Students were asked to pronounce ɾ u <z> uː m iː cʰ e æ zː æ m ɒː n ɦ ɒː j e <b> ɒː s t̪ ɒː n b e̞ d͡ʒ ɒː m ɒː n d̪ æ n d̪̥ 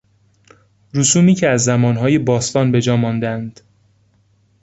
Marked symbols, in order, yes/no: no, yes

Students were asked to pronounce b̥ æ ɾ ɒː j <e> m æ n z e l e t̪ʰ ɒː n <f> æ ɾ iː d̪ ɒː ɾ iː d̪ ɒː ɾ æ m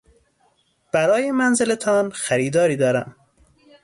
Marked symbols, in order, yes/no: yes, no

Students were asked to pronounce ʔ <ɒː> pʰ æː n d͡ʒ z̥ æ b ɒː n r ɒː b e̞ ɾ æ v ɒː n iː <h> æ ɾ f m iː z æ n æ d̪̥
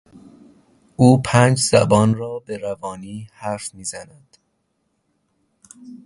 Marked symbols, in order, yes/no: no, yes

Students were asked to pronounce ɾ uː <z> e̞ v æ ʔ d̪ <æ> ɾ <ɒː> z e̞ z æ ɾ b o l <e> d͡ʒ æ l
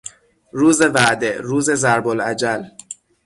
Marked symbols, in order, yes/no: yes, no, no, no

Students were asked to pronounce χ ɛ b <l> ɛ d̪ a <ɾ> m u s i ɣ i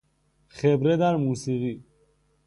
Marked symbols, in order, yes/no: no, yes

